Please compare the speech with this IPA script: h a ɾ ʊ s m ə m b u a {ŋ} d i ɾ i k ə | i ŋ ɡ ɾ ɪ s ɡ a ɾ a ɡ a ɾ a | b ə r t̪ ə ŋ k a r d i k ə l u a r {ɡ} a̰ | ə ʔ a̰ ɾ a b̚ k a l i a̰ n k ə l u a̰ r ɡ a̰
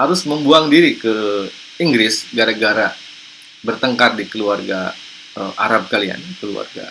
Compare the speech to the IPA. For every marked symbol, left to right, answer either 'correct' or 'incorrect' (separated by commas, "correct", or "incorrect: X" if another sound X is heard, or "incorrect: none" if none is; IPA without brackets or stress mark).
correct, correct